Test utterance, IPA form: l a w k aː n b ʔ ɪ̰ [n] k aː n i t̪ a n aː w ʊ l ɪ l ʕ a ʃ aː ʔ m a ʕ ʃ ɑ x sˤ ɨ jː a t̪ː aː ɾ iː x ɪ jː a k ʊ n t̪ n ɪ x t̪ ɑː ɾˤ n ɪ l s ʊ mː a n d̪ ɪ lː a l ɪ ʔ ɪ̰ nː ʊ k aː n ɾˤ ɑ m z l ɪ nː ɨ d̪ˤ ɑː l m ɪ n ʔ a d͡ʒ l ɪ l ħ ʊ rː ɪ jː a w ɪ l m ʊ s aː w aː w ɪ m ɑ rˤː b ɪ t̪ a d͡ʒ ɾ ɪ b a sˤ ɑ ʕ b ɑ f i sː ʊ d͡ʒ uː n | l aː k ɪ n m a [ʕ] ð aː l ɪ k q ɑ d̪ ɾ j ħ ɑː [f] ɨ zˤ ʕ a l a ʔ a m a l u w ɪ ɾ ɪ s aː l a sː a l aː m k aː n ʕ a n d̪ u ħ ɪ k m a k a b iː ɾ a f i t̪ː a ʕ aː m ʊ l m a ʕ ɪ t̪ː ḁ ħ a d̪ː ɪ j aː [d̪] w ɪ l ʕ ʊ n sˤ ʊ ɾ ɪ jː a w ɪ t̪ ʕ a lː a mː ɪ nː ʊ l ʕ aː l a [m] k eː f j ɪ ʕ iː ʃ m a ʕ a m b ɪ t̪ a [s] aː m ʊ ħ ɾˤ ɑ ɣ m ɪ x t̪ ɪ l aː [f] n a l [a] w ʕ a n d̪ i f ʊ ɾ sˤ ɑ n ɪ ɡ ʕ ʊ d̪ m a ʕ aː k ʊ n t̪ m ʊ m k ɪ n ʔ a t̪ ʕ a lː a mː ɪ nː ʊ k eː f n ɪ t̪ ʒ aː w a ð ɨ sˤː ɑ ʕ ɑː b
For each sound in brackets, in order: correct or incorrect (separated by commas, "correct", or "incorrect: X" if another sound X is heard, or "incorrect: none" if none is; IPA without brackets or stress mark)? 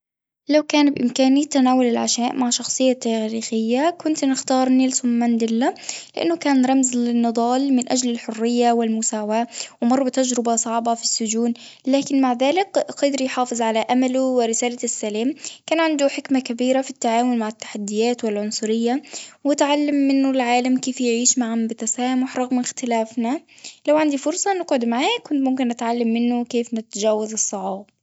incorrect: m, correct, correct, incorrect: t̪, correct, correct, correct, correct